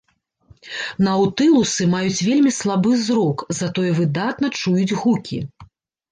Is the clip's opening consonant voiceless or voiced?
voiced